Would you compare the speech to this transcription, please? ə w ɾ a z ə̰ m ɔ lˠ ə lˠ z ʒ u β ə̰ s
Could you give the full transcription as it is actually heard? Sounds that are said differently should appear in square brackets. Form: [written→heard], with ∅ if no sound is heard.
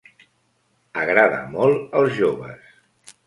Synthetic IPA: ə [w→ɣ] ɾ a [z→ð] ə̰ m ɔ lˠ ə lˠ z ʒ [u→o] β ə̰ s